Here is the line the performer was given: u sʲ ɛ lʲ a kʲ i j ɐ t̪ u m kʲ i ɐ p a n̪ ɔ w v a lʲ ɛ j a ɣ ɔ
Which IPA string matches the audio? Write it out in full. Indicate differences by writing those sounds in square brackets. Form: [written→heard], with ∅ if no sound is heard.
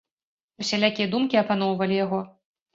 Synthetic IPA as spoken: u sʲ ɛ lʲ a kʲ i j ɐ [t̪→d̪] u m kʲ i ɐ p a n̪ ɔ w v [a→ɐ] lʲ [ɛ→i] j a ɣ ɔ